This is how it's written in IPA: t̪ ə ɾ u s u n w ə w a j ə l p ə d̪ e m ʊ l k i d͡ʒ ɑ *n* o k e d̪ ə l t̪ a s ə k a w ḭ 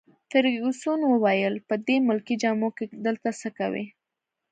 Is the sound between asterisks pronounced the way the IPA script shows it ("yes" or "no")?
no